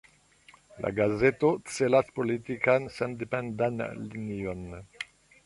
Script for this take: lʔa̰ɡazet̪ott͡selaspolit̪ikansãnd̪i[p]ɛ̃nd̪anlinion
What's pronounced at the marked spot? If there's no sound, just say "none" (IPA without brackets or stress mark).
p